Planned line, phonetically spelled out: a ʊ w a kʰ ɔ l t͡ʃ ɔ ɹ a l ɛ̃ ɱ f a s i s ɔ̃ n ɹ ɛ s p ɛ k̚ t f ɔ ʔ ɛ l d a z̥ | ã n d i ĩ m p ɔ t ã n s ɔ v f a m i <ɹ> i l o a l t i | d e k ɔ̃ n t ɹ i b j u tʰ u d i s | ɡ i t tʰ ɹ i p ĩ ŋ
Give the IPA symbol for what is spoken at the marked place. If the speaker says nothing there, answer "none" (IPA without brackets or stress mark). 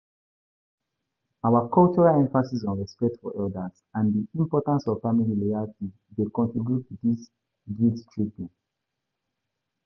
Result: l